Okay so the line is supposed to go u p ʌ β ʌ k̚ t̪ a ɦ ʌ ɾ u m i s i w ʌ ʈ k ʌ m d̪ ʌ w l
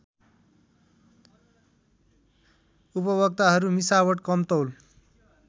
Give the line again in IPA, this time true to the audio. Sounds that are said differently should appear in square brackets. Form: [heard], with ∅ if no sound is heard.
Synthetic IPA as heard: u p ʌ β ʌ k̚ t̪ a ɦ ʌ ɾ u m i s [a] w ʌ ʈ k ʌ m [t̪] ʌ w l